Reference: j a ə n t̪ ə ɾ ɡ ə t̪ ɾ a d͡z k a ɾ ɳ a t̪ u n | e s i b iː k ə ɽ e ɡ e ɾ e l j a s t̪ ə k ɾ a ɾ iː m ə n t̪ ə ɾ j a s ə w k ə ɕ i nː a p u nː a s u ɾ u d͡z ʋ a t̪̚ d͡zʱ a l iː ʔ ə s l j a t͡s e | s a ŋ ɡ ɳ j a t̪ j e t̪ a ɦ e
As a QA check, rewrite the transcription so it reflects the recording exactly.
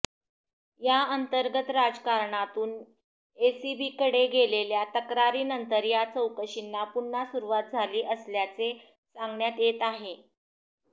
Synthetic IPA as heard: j a ə n t̪ ə ɾ ɡ ə t̪ ɾ a d͡z k a ɾ ɳ a t̪ uː n | e s i b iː k ə ɽ e ɡ e l e l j a t̪ ə k ɾ a ɾ iː n ə n t̪ ə ɾ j a t͡s ə w k ə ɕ i nː a p u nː a s u ɾ u ʋ a t̪̚ d͡zʱ a l iː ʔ ə s l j a t͡s e | s a ŋ ɡ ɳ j a t̪ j e t̪ a ɦ e